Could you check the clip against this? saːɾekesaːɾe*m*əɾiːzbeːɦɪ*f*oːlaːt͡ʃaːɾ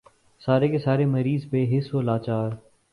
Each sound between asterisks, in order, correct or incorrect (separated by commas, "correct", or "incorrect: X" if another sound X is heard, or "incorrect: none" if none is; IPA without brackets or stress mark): correct, incorrect: s